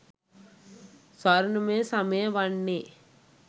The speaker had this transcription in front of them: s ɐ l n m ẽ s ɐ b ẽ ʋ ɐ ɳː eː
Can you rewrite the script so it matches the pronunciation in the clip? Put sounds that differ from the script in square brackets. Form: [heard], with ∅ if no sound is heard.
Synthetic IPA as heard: s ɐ [ɾ] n m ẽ s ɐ [m] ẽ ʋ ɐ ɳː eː